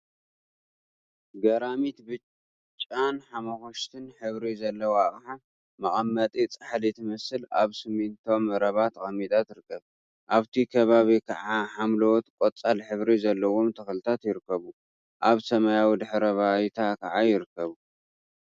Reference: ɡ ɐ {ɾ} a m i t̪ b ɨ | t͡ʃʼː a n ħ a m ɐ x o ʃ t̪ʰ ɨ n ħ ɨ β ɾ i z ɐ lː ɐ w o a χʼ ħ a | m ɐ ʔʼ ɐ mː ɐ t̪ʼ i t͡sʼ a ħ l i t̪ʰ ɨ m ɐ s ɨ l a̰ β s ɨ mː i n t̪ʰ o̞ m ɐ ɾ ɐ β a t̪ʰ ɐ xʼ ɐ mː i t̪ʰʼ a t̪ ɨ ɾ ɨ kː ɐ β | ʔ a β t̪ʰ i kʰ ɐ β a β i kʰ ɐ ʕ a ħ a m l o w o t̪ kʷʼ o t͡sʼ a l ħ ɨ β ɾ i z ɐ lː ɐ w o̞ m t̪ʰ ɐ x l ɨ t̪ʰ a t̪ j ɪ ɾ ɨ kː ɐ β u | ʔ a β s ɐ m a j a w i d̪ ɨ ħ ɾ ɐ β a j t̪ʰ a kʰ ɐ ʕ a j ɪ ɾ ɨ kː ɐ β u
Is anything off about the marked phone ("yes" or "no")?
no